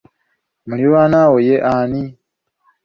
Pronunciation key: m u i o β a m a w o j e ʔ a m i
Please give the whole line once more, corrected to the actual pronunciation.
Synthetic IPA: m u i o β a n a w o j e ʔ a n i